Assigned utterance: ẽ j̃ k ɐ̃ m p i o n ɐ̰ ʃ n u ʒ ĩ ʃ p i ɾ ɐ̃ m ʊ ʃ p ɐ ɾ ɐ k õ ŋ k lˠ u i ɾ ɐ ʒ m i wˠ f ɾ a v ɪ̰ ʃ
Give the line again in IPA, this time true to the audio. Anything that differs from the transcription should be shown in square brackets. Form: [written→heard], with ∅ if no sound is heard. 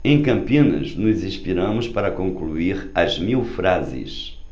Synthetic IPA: ẽ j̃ k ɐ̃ m p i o n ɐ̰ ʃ n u [ʒ→z] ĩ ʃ p i ɾ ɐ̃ m ʊ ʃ p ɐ ɾ ɐ k õ ŋ k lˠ u i ɾ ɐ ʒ m i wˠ f ɾ a [v→z] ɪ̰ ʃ